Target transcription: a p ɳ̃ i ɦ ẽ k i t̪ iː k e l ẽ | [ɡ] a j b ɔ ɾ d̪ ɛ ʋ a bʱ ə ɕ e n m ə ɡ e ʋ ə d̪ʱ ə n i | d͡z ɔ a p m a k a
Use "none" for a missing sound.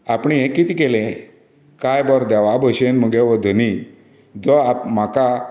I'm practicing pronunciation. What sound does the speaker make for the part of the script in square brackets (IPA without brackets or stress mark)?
k